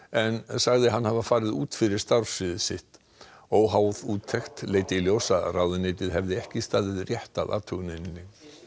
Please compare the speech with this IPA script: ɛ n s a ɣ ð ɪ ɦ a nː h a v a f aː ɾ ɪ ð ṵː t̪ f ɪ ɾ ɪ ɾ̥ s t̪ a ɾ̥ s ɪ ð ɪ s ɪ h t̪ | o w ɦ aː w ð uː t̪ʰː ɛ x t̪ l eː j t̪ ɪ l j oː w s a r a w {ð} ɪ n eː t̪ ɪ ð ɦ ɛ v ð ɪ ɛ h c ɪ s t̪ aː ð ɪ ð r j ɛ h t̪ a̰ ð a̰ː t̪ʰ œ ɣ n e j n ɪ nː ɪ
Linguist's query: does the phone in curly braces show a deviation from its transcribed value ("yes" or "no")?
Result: no